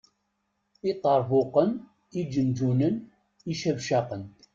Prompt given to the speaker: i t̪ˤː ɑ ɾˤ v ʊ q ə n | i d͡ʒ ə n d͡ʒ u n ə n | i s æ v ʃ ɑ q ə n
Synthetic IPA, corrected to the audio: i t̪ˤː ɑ ɾˤ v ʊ q ə n | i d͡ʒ ə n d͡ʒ u n ə n | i ʃ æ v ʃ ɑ q ə n